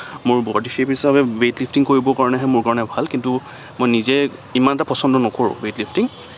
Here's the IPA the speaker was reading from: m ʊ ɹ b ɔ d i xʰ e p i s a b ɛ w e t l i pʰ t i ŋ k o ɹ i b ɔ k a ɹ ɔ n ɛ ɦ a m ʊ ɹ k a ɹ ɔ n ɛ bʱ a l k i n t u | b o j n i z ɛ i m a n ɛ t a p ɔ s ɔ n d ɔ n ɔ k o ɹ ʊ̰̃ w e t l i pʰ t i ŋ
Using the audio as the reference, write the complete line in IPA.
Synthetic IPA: m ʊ ɹ b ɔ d i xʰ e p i s a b ɛ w e t l i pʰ t i ŋ k o ɹ i b ɔ k a ɹ ɔ n ɛ ɦ ɛ m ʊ ɹ k a ɹ ɔ n ɛ bʱ a l k i n t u | m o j n i z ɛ i m a n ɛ t a p ɔ s ɔ n d ɔ n ɔ k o ɹ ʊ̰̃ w e t l i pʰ t i ŋ